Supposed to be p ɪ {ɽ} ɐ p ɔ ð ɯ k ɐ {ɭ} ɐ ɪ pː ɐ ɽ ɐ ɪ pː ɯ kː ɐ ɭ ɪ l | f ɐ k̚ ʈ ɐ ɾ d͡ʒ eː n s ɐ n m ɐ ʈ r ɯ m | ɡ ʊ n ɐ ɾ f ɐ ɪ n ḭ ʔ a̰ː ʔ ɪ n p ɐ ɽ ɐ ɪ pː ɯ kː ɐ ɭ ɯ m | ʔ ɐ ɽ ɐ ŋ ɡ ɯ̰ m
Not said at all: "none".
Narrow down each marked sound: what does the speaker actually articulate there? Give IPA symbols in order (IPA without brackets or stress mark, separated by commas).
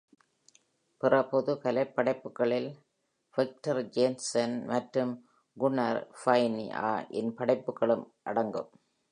r, l